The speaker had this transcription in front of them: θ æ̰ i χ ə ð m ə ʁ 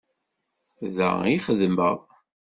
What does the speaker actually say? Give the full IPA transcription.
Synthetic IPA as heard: ð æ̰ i χ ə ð m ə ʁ